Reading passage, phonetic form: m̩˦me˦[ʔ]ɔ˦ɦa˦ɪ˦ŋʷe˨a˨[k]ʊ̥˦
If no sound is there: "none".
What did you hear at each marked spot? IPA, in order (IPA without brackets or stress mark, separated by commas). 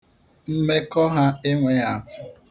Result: k, t